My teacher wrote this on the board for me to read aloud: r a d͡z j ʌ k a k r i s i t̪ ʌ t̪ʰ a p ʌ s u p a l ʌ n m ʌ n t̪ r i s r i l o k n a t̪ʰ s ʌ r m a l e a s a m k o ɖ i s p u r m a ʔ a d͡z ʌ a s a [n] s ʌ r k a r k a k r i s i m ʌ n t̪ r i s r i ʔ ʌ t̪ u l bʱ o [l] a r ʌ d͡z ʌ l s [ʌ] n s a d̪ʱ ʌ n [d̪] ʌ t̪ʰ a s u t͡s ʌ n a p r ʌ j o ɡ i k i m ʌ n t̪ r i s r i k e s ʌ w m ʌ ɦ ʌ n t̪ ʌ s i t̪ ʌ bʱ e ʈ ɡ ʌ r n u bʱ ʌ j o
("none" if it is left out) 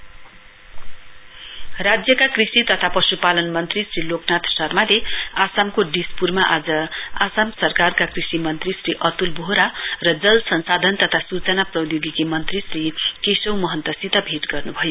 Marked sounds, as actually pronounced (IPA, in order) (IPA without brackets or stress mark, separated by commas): m, ɾ, ʌ, t̪